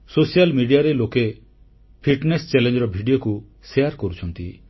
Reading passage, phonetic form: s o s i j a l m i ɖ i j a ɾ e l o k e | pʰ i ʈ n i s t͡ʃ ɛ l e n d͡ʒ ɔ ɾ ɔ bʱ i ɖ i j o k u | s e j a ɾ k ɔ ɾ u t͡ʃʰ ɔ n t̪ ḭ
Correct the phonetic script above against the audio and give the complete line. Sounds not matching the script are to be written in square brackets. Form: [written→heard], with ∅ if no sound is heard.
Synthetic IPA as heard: s o s i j a l m i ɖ i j a ɾ e l o k e | pʰ i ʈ n [i→e] s t͡ʃ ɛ l e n d͡ʒ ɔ ɾ ɔ bʱ i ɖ i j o k u | s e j a ɾ k ɔ ɾ u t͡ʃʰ ɔ n t̪ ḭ